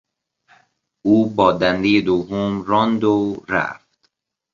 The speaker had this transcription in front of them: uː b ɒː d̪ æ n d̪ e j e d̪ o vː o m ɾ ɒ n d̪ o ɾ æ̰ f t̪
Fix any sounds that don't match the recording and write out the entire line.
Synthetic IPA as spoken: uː b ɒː d̪ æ n d̪ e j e d̪ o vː o m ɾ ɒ n d̪ o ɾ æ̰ f t̪